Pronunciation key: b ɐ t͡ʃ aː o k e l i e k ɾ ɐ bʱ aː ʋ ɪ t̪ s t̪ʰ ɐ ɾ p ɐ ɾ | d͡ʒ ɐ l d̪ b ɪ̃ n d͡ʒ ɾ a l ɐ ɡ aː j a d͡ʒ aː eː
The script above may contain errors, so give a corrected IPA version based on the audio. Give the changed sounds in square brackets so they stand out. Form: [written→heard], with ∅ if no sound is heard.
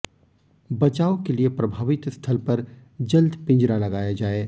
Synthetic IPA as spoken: b ɐ t͡ʃ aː o k e l i e [k→p] ɾ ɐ bʱ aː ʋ ɪ t̪ s t̪ʰ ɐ [ɾ→l] p ɐ ɾ | d͡ʒ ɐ l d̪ [b→p] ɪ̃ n d͡ʒ ɾ a l ɐ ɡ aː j a d͡ʒ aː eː